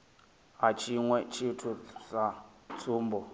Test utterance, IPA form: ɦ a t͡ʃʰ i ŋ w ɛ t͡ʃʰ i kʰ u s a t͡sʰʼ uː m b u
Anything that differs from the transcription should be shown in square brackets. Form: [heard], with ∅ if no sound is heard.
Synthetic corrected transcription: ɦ a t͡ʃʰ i ŋ w ɛ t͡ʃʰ i [tʰ] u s a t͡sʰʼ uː m b [ɔ]